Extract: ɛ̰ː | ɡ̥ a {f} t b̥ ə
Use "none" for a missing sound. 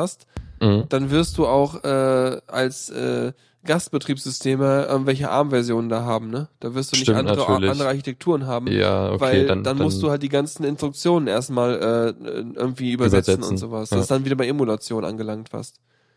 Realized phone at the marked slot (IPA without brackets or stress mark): s